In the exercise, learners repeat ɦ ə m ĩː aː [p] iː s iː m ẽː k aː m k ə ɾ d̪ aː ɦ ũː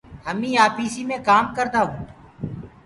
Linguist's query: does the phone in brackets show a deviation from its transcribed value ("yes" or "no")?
no